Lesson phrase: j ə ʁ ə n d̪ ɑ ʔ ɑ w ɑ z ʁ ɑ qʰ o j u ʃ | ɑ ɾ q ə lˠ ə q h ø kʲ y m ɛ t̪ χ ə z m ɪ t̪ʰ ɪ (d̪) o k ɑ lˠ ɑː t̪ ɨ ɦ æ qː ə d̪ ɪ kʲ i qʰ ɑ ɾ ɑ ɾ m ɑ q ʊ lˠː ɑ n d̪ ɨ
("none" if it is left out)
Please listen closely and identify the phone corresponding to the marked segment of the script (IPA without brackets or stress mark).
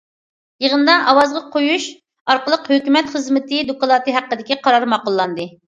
d̪